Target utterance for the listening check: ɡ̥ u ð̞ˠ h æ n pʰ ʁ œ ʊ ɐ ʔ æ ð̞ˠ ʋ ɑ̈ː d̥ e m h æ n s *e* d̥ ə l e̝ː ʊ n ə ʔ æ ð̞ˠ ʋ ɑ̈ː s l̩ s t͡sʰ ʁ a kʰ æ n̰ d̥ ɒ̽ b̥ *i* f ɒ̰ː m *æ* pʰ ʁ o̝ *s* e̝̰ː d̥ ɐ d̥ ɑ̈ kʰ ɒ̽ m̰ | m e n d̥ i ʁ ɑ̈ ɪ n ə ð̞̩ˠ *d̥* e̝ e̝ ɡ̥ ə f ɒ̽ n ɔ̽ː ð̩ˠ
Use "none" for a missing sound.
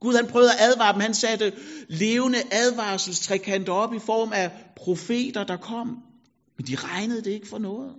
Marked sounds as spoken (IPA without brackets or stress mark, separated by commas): æ, i, æ, f, d̥